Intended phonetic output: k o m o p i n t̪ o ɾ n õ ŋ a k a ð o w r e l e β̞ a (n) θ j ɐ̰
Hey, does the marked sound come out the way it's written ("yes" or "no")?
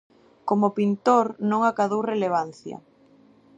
yes